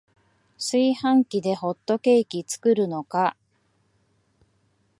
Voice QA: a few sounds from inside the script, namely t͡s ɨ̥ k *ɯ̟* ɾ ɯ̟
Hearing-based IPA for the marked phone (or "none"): ɯ̟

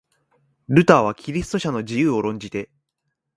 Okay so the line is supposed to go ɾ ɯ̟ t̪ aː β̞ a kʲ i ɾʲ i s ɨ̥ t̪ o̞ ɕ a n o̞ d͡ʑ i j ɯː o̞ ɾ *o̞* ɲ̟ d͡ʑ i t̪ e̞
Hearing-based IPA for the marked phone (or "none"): õ̞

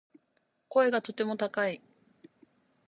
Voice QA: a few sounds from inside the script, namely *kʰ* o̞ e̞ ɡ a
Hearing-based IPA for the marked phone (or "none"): k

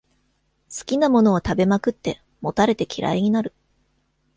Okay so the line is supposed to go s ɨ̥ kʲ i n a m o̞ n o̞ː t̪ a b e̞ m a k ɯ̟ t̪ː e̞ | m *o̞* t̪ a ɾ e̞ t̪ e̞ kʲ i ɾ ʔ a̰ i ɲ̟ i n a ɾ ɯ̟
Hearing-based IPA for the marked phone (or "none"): o̞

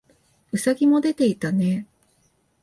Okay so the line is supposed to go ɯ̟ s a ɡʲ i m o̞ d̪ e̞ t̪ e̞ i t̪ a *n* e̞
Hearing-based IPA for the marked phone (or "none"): n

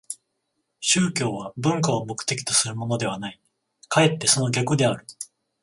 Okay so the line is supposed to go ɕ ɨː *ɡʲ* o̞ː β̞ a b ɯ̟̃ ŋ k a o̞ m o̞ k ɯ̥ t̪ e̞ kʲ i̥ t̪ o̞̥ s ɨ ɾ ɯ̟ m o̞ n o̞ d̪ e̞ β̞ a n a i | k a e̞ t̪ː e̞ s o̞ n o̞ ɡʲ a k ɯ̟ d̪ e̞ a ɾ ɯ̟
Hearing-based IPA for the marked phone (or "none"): kʲ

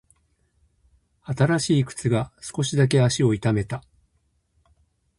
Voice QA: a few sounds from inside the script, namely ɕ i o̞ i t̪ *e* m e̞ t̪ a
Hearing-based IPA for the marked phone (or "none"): a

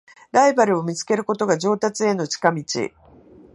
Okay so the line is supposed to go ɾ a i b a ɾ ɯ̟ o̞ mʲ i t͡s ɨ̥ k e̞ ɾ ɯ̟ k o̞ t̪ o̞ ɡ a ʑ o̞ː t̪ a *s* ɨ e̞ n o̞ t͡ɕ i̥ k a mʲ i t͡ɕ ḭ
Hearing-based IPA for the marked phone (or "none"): t͡s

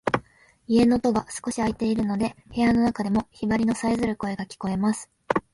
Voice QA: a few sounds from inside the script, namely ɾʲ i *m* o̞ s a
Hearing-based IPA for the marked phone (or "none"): n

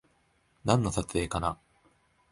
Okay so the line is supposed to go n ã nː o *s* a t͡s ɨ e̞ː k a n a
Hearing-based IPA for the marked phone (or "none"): s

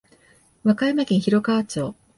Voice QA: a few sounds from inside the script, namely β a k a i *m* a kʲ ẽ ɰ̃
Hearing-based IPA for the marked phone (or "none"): m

